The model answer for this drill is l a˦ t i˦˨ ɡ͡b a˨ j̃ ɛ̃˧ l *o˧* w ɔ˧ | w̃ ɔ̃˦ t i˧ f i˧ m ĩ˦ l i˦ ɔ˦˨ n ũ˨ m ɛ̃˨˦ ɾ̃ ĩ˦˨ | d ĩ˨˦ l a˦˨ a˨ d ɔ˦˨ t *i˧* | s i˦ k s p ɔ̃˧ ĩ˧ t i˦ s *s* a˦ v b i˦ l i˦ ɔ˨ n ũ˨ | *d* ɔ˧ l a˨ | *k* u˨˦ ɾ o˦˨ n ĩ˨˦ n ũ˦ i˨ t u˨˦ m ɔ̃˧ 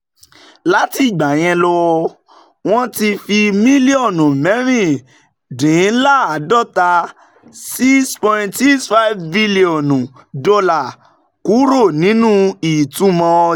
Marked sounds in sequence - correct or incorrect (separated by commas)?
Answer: incorrect, incorrect, incorrect, correct, correct